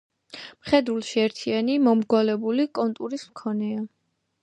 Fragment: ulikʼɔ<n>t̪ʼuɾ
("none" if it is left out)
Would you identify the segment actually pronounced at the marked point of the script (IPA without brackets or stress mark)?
n